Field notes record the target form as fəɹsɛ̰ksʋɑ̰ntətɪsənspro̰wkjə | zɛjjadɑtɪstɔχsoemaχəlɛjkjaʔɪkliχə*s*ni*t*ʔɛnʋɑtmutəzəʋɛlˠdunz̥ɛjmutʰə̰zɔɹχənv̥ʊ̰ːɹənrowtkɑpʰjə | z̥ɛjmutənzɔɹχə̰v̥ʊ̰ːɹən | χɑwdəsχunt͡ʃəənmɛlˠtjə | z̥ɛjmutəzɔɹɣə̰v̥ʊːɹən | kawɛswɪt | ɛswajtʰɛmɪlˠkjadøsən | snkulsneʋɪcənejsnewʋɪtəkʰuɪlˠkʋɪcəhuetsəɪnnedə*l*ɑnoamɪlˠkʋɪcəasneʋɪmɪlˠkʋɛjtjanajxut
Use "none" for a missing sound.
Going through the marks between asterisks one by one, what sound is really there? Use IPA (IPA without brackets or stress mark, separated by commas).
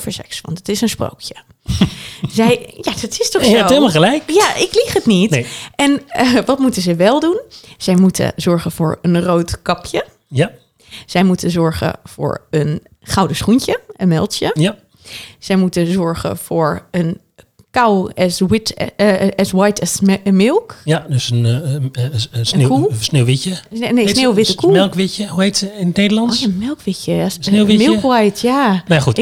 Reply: t, t, l